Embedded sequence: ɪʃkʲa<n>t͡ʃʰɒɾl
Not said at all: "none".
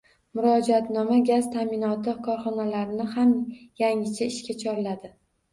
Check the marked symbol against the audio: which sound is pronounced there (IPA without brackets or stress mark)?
none